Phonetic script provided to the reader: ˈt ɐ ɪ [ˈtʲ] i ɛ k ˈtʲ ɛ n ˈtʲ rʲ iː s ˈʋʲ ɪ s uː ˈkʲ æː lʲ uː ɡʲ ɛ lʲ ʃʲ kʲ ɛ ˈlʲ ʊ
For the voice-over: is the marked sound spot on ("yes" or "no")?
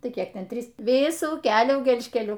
no